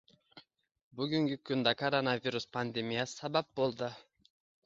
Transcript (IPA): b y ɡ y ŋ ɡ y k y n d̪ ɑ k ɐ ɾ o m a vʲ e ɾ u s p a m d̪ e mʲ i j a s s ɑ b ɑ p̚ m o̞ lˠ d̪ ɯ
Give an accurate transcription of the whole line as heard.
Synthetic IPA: b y ɡ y ŋ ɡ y k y n d̪ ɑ k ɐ ɾ o n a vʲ i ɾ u s p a n d̪ e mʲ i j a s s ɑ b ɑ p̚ b o̞ lˠ d̪ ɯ